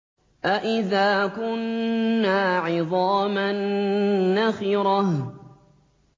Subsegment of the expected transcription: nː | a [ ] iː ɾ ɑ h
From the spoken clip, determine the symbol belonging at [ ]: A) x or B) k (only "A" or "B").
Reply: A